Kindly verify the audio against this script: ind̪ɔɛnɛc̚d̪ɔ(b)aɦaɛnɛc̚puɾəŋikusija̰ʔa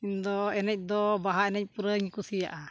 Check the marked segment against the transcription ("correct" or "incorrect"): correct